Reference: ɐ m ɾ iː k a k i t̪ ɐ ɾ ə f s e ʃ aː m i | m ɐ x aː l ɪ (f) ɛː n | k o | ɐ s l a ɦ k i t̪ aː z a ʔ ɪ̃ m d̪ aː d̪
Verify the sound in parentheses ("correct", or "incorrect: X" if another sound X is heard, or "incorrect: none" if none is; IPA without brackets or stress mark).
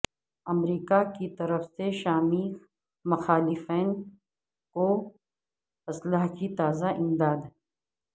correct